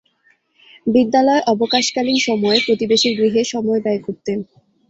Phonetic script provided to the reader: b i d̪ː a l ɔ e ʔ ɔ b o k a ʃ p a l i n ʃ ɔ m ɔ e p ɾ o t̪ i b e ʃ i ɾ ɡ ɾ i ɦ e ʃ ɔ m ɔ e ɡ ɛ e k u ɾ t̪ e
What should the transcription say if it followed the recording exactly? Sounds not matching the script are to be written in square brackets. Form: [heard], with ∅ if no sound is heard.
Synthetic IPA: b i d̪ː a l ɔ e ʔ ɔ b o k a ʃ [k] a l i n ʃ ɔ m ɔ e p ɾ o t̪ i b e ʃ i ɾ ɡ ɾ i ɦ e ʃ ɔ m ɔ e [b] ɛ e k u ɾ t̪ e